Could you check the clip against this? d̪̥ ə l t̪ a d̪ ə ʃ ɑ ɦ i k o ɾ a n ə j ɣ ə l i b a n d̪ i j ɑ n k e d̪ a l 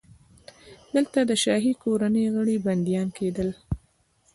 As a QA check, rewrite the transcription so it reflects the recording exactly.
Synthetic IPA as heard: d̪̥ ə l t̪ a d̪ ə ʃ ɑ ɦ i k o ɾ a n ə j ɣ ə ɽ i b a n d̪ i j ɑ n k e d̪ ə l